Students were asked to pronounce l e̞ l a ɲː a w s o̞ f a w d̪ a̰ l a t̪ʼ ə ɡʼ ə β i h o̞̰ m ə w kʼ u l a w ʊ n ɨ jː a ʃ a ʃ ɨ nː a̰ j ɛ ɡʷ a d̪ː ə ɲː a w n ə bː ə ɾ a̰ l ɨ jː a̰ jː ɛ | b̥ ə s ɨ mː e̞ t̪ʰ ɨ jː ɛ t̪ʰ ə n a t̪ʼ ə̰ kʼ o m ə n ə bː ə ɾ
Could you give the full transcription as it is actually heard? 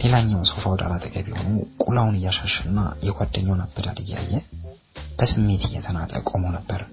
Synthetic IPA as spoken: l e̞ l a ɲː a w s o̞ f a w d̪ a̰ l a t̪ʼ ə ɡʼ ə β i h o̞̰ n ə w kʼ u l a w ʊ n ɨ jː a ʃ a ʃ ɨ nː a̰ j ɛ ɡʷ a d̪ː ə ɲː a w n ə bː ə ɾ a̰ l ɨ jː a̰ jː ɛ | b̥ ə s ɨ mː e̞ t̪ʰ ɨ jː ɛ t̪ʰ ə n a t̪ʼ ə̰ kʼ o m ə n ə bː ə ɾ